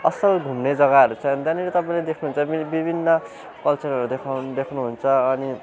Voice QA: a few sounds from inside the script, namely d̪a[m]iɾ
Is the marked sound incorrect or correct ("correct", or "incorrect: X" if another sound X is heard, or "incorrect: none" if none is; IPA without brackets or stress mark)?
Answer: incorrect: n